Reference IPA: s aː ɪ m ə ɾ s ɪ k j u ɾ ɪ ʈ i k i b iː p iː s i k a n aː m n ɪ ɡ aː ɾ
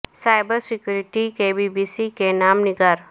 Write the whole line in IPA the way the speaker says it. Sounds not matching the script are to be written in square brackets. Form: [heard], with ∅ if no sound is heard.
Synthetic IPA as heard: s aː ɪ [b] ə ɾ s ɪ k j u ɾ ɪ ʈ i k [e] b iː [b] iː s i k [e] n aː m n ɪ ɡ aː ɾ